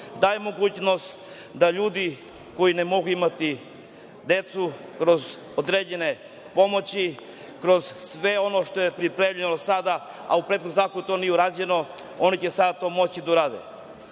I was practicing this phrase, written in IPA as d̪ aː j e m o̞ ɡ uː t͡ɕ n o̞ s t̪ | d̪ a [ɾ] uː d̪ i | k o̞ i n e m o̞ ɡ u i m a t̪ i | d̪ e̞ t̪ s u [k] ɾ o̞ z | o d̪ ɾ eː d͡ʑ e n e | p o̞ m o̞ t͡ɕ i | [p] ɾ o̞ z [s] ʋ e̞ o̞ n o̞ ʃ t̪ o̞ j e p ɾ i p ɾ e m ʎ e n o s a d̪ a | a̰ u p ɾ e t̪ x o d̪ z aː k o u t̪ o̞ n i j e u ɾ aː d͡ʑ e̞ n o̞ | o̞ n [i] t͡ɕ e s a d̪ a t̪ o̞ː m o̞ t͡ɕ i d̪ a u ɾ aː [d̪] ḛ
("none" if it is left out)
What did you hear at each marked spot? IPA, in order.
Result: ʎ, k, k, s, i, d̪

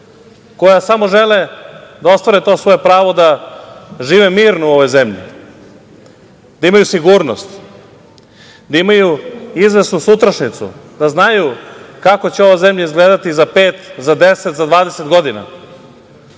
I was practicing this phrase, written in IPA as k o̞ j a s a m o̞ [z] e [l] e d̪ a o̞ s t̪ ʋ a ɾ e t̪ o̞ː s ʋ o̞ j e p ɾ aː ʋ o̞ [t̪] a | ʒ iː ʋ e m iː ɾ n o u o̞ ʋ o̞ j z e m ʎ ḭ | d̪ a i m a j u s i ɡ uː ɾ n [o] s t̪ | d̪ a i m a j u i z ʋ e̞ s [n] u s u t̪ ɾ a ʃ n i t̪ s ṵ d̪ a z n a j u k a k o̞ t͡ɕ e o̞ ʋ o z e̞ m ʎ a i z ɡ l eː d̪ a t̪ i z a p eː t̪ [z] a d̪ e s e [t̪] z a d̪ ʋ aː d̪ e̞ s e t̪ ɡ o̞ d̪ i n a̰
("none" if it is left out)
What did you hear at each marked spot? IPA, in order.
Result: ʒ, l, d̪, o, n, z, t̪

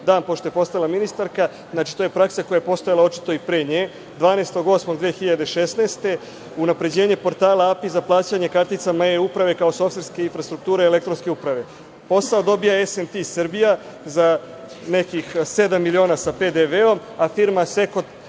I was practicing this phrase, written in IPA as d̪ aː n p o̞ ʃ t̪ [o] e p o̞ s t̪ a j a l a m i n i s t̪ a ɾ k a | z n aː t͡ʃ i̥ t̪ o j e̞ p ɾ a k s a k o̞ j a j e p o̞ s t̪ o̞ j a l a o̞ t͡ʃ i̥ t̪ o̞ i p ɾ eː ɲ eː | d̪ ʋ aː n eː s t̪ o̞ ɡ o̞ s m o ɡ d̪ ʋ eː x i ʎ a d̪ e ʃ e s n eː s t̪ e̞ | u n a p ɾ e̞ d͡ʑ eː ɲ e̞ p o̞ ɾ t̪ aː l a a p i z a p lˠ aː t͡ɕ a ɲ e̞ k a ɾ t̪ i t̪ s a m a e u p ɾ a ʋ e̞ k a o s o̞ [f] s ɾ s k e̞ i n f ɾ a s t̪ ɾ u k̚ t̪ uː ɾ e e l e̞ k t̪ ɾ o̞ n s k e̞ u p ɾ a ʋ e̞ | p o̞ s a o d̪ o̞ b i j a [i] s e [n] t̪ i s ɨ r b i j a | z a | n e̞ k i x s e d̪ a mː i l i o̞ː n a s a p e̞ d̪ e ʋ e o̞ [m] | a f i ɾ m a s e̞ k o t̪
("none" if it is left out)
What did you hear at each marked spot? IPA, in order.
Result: o, f, e, n, m

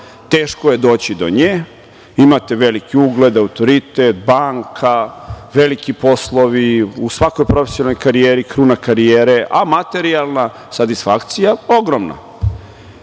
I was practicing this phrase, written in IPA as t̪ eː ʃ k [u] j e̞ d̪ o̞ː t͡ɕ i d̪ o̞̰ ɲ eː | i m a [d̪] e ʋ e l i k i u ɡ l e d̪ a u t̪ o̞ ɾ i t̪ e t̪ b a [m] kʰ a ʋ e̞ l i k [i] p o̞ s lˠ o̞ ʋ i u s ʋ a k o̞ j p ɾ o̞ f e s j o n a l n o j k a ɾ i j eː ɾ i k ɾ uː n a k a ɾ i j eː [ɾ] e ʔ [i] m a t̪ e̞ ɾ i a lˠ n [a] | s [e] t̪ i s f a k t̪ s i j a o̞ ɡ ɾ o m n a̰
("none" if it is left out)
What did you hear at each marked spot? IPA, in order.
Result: o, t̪, ŋ, i, ɾ, a, a, a

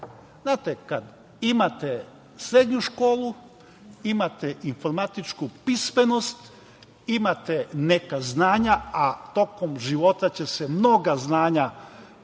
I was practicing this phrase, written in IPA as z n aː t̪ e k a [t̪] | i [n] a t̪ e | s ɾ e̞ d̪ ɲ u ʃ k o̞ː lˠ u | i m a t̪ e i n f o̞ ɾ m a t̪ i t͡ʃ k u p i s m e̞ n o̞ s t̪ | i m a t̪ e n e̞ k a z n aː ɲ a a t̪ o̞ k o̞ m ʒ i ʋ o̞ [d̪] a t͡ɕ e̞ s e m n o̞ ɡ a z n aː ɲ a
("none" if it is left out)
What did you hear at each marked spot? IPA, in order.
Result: d̪, m, t̪

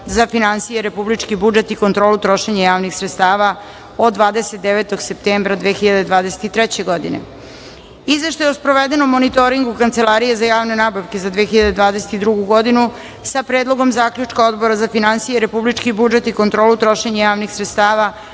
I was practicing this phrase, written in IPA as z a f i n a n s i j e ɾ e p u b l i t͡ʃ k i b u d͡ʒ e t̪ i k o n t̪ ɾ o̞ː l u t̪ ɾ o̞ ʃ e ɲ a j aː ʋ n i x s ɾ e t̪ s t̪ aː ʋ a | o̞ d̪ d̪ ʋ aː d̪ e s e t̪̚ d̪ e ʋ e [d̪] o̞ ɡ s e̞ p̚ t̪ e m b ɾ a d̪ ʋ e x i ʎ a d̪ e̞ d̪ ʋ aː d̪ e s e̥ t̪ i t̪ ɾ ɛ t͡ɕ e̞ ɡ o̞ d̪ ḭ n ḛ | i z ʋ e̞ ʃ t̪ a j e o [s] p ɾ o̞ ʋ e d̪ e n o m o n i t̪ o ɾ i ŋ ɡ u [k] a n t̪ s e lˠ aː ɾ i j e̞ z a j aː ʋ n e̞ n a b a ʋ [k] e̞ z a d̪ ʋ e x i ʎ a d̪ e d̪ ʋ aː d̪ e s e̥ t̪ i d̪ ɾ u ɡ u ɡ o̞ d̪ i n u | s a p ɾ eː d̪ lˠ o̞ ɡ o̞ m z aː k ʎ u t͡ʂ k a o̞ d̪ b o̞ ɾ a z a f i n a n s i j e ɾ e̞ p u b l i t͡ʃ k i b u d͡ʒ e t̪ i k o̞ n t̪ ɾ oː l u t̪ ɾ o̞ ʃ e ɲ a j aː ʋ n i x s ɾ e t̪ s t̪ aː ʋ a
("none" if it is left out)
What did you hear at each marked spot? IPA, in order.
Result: t̪, s, k, k

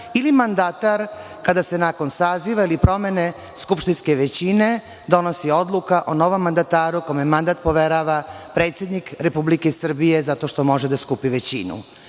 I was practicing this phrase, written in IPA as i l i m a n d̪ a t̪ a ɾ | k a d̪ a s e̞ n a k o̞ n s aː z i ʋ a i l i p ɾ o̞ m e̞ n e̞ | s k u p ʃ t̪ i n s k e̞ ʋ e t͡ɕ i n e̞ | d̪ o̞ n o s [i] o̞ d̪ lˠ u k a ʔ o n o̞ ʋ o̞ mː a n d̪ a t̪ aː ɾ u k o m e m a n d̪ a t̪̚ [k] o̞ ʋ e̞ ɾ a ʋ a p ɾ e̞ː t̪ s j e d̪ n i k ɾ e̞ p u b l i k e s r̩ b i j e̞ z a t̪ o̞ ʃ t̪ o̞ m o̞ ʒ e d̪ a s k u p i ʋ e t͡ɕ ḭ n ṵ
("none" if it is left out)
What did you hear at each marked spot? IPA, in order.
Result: i, p

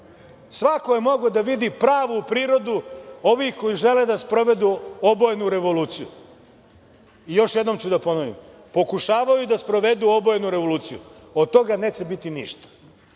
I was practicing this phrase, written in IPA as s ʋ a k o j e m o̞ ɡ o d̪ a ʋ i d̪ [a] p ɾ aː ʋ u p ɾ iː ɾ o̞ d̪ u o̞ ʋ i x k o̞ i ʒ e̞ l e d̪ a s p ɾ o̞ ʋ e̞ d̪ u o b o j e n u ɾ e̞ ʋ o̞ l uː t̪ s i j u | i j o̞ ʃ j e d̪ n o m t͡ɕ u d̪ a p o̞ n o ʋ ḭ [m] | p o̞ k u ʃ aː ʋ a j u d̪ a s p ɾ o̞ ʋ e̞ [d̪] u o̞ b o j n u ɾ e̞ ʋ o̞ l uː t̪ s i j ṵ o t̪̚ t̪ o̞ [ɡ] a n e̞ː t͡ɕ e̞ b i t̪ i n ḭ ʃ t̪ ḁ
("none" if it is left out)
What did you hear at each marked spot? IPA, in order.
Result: i, m, d̪, ɡ

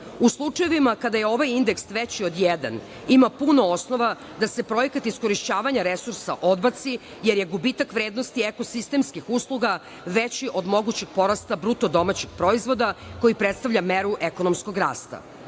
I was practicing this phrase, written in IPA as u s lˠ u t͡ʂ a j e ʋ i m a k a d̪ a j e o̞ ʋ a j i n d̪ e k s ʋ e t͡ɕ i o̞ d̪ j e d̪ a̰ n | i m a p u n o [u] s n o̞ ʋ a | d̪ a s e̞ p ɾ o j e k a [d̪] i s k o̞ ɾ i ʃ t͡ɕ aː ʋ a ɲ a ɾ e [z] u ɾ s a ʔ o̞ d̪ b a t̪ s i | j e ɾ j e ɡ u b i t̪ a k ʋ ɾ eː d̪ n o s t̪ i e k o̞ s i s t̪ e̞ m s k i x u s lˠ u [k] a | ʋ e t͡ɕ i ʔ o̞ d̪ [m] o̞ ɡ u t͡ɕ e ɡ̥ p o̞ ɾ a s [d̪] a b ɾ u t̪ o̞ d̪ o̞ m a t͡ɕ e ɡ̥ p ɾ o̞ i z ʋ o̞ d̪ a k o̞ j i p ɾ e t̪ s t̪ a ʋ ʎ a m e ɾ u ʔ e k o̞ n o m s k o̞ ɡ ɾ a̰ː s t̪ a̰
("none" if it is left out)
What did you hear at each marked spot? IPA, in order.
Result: o, t̪, s, ɡ, m, t̪

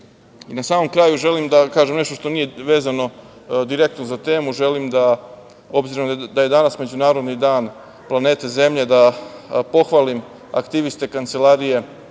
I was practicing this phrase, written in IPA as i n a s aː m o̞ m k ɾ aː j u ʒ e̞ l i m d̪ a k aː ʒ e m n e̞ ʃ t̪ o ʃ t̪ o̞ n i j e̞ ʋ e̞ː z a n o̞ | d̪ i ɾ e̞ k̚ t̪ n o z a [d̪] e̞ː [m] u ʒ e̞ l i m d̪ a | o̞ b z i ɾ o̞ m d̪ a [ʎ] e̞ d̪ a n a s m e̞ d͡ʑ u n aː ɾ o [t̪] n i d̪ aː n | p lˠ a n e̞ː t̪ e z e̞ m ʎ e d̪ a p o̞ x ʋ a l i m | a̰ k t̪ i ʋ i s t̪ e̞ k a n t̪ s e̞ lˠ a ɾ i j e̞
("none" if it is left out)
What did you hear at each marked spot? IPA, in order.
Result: t̪, m, j, d̪

